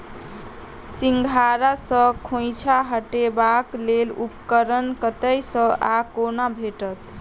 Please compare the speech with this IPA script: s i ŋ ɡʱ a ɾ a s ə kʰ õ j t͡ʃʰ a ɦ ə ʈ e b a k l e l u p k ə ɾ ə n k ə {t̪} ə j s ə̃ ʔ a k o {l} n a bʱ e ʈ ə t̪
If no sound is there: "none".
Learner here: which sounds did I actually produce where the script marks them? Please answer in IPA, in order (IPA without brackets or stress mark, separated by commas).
t̪, none